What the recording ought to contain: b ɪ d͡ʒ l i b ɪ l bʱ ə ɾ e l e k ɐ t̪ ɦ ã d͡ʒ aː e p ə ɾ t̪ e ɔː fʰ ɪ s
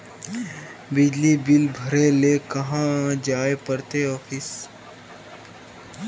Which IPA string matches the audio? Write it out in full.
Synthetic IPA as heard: b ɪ d͡ʒ l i b ɪ l bʱ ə ɾ e l e k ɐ ɦ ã d͡ʒ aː e p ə ɾ t̪ e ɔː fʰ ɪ s